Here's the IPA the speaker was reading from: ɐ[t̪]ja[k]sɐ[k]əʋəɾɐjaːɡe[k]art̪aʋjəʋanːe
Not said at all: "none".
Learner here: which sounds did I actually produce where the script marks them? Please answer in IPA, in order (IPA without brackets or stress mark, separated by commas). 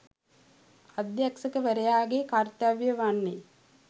d̪, k, k, k